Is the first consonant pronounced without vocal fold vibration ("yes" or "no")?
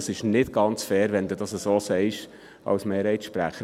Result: yes